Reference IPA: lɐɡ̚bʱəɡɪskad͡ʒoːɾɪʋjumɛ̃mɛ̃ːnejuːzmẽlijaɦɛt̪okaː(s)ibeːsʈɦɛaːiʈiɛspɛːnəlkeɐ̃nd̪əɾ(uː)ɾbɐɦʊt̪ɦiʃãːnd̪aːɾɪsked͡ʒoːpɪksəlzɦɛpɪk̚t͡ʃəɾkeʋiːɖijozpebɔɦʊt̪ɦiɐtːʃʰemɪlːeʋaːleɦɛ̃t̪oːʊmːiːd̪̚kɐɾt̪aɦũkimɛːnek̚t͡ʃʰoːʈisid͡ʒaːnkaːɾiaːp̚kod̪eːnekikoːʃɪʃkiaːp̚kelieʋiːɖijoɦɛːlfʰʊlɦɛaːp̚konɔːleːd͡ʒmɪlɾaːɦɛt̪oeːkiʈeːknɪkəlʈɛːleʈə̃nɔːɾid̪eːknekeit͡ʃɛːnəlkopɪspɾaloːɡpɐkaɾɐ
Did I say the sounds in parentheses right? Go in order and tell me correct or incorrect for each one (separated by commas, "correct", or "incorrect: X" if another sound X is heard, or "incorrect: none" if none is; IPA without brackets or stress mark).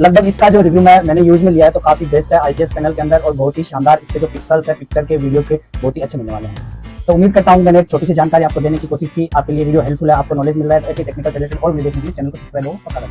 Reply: incorrect: f, incorrect: ɔː